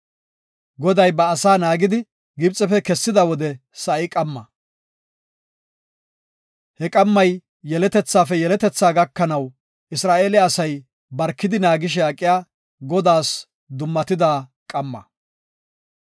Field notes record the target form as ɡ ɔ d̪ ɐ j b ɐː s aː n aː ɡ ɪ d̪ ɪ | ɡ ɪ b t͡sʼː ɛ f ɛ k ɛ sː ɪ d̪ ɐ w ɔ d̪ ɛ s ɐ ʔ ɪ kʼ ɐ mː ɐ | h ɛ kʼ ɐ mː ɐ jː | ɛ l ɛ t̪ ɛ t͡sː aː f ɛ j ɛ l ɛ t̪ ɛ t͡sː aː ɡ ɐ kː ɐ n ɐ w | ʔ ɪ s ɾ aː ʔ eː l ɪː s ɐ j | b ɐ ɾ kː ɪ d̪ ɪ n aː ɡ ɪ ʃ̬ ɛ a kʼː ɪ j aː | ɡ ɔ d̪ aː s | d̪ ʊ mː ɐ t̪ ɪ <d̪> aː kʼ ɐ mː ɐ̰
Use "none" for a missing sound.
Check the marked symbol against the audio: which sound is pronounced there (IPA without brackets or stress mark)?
d̪